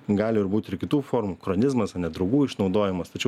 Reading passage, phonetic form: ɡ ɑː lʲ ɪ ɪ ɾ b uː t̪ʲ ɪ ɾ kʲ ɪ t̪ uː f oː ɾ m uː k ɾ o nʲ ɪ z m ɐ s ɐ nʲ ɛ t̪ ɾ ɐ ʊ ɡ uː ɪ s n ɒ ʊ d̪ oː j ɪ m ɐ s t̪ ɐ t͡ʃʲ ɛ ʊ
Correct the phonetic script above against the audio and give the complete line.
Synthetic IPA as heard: ɡ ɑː lʲ ɪ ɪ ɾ b uː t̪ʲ ɪ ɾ kʲ ɪ t̪ uː f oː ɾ m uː k ɾ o nʲ ɪ z m ɐ s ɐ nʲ ɛ d̪ ɾ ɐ ʊ ɡ uː ɪ ʃ n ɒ ʊ d̪ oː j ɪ m ɐ s t̪ ɐ t͡ʃʲ ɛ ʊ